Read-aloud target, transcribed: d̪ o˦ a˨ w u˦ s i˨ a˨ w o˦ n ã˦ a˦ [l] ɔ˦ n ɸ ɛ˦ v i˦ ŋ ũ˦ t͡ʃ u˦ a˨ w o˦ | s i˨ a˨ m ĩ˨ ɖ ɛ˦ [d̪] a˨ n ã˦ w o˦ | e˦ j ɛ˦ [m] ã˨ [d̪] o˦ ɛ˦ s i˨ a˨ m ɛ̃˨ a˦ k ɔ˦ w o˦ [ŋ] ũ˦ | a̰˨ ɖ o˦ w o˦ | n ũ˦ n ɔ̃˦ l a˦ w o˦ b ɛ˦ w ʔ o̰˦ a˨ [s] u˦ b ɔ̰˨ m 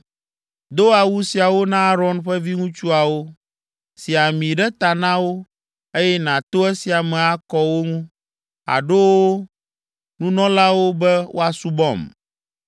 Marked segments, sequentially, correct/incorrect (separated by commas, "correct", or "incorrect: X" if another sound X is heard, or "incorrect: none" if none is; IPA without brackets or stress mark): incorrect: ɾ, incorrect: t̪, incorrect: n, incorrect: t̪, correct, correct